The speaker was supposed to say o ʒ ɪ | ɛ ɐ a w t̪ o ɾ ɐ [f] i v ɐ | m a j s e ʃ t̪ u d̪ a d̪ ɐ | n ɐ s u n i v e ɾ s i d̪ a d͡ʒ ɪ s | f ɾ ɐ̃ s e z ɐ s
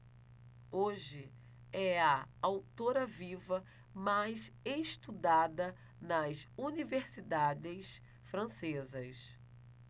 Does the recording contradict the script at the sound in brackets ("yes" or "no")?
yes